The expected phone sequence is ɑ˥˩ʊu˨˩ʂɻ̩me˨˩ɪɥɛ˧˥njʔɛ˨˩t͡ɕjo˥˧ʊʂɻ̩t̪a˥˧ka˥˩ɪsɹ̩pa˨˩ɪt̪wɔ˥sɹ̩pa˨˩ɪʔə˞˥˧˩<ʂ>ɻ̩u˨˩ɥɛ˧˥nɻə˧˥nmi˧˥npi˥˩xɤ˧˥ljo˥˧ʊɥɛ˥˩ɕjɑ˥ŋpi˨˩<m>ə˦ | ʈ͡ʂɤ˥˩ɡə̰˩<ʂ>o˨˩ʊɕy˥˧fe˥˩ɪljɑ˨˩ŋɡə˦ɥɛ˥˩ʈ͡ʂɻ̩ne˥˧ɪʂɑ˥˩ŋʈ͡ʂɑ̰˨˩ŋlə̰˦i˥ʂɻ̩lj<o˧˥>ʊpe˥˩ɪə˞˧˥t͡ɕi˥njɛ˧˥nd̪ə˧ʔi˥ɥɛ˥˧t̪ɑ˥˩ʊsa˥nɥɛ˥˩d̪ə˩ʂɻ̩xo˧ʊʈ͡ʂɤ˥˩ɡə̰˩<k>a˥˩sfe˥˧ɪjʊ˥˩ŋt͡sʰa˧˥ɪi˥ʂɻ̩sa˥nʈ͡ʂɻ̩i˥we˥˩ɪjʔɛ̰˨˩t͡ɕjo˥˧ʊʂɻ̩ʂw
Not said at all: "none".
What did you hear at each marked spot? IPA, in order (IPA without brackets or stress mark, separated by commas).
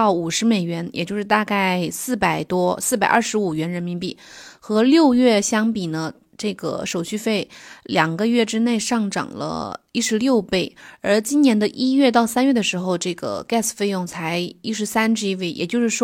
ʂ, n, ʂ, o˥˧, k